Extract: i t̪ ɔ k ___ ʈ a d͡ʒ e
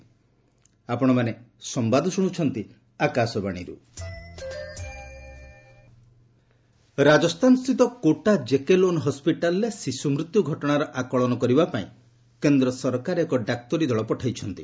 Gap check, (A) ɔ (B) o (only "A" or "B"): B